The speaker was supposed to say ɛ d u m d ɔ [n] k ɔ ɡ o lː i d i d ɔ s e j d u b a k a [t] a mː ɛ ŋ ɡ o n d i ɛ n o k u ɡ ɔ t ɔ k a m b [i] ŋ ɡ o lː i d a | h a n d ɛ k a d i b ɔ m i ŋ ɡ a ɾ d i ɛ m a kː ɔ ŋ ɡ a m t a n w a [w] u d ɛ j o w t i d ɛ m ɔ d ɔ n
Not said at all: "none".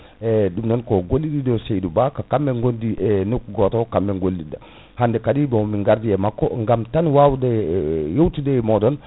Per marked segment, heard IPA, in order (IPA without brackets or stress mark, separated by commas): n, k, ɛ, w